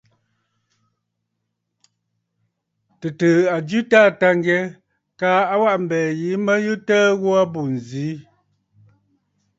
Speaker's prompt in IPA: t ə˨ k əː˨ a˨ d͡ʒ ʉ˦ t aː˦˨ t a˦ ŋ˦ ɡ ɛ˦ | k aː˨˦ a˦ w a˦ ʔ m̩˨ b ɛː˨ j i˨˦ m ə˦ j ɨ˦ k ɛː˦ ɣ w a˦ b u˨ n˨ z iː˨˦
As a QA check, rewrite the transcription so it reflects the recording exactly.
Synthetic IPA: t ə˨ t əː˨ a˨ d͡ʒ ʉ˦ t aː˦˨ t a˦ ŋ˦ ɡ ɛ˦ | k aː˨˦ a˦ w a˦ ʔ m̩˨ b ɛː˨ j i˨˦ m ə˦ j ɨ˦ t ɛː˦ ɣ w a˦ b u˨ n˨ z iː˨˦